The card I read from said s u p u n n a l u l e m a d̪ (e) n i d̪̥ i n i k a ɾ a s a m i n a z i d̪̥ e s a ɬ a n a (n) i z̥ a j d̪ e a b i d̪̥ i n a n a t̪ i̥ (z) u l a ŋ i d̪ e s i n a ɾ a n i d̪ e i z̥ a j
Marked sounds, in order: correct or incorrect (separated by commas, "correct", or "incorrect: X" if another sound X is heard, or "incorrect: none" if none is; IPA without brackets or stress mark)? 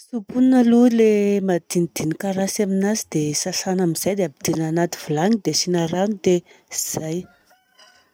incorrect: i, incorrect: m, incorrect: v